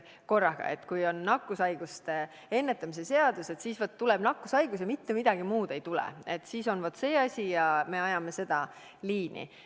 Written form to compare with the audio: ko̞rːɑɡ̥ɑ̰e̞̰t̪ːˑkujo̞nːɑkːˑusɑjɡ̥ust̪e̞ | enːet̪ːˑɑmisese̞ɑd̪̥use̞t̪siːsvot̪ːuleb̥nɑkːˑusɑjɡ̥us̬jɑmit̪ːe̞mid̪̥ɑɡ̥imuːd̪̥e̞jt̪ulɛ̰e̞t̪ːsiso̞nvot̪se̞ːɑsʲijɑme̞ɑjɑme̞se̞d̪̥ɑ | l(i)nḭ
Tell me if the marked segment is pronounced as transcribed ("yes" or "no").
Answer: no